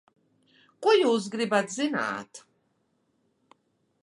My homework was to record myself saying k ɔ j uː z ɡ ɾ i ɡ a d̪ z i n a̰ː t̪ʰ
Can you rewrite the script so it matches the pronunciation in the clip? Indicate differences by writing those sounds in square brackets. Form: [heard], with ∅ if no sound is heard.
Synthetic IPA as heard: [kʼ] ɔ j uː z ɡ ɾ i [b] a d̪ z i n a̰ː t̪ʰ